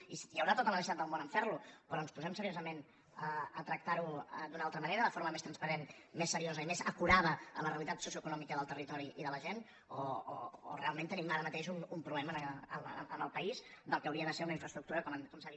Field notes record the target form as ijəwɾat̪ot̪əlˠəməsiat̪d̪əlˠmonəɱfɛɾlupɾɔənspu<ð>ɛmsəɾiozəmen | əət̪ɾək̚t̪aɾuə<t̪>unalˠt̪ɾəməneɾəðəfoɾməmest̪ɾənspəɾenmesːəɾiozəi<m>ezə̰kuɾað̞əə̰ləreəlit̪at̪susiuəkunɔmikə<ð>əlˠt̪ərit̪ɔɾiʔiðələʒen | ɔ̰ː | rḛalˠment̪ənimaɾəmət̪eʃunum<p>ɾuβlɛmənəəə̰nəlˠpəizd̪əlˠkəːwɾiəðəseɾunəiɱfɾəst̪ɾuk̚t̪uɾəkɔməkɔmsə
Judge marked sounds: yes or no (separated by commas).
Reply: no, no, yes, yes, yes